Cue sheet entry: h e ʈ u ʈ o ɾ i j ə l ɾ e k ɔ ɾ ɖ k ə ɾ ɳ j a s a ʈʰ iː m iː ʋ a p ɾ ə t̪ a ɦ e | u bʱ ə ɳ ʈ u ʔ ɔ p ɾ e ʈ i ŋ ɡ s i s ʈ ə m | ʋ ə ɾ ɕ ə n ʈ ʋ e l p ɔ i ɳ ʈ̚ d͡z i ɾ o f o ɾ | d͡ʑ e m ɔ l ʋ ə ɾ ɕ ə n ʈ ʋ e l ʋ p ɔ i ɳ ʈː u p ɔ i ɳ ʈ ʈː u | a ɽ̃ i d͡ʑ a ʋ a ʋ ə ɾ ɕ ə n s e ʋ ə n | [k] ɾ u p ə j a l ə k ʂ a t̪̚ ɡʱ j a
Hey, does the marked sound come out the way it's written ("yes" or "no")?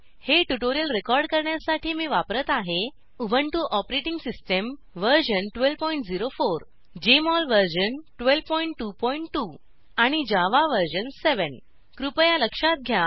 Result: yes